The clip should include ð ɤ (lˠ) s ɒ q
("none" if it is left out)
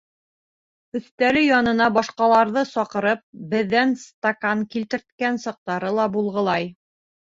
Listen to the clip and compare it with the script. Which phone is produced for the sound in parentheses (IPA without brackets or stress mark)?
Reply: none